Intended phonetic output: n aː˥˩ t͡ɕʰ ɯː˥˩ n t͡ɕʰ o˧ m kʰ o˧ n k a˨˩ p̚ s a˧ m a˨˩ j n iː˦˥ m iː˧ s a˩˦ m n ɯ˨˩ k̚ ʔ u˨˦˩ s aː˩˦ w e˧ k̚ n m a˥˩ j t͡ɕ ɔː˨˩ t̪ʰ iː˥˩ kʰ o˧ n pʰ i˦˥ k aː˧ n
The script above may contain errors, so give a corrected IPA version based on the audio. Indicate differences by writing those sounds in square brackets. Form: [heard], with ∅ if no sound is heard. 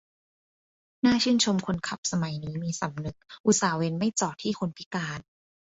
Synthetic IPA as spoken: n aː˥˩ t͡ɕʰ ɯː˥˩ n t͡ɕʰ o˧ m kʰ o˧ n [kʰ] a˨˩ p̚ s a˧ m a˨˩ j n iː˦˥ m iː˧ s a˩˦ m n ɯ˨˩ k̚ ʔ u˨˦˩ s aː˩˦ w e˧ [∅] n m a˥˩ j t͡ɕ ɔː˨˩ t̪ʰ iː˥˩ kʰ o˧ n pʰ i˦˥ k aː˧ n